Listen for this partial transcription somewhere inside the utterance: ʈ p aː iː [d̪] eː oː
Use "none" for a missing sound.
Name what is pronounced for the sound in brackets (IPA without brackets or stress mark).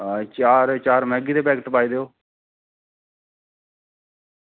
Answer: d̪